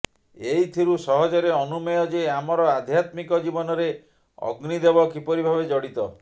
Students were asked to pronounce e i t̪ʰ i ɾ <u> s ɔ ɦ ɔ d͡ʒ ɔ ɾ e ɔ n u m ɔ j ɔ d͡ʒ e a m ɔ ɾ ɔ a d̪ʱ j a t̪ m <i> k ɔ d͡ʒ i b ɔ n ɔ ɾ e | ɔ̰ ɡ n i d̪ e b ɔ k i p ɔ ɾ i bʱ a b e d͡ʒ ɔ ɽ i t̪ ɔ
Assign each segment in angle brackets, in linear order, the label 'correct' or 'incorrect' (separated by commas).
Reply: correct, correct